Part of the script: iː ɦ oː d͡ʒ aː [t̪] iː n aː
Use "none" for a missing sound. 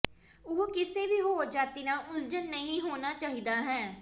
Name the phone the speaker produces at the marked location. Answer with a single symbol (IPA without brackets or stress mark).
t̪